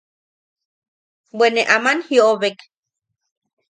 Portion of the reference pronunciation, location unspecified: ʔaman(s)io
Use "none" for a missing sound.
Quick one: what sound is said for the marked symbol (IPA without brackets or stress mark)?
h